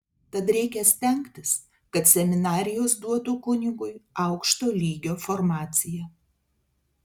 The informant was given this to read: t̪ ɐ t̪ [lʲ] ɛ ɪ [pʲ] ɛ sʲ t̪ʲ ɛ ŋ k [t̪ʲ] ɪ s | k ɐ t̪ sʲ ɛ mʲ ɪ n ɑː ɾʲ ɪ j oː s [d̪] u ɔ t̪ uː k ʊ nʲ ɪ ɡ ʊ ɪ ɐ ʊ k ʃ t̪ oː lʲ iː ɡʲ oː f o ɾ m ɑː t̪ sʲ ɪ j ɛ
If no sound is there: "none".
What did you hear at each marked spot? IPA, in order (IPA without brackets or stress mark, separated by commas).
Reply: ɾʲ, kʲ, t̪ʲ, d̪